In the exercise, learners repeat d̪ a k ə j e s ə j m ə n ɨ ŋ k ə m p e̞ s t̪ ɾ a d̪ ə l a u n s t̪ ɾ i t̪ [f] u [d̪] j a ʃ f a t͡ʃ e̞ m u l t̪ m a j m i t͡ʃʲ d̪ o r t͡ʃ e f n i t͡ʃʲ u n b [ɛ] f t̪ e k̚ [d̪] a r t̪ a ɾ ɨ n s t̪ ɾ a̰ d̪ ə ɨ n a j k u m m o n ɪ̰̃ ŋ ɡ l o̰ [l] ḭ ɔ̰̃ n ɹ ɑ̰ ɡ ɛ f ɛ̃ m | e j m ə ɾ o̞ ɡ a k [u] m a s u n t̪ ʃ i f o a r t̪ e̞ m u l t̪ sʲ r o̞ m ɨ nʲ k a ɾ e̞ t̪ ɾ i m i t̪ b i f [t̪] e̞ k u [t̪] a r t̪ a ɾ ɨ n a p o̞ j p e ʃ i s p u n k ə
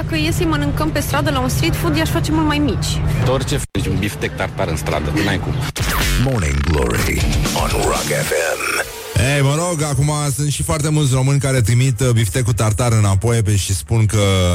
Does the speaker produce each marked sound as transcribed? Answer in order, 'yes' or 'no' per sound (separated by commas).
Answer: yes, yes, no, no, no, yes, yes, yes